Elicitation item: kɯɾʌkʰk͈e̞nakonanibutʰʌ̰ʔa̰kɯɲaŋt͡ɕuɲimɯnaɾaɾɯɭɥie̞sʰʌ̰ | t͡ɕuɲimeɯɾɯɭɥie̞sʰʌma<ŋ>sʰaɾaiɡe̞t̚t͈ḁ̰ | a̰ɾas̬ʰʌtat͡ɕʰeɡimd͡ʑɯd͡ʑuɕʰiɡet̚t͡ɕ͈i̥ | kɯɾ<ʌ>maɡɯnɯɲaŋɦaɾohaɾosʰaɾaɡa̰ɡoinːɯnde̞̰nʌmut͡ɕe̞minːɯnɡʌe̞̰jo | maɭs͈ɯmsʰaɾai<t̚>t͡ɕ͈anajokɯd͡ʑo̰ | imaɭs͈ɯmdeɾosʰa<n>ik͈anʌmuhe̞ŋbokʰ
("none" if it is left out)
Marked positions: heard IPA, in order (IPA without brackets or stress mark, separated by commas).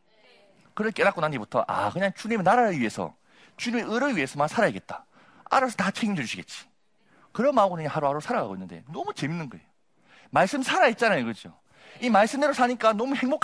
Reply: n, ʌ, t̚, ɲ